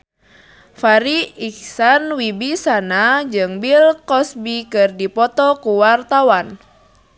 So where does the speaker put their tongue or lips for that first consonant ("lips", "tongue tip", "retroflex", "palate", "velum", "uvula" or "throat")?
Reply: lips